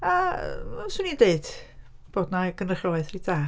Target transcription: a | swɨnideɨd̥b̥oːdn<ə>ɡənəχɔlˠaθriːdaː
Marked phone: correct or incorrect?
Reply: incorrect